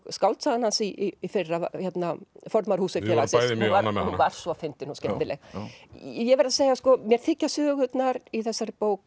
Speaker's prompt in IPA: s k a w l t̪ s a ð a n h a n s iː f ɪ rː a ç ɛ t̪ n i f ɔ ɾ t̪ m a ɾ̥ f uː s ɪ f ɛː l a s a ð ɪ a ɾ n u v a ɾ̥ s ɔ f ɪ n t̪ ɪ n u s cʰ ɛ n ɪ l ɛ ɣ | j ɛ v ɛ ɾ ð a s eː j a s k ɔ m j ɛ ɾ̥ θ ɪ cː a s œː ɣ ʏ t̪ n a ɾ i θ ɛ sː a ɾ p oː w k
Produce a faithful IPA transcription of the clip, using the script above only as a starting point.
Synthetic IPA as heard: s k a w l t̪ s a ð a n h a n s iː f ɪ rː a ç ɛ t̪ n a f ɔ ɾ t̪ m a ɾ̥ h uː s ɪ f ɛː l a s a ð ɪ a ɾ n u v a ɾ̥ s ɔ f ɪ n t̪ ɪ n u s c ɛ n ɪ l ɛ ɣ | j ɛ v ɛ ɾ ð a s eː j a s k ɔ m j ɛ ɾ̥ θ ɪ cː a s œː ɣ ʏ t̪ n a ɾ i θ ɛ sː a ɾ p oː w k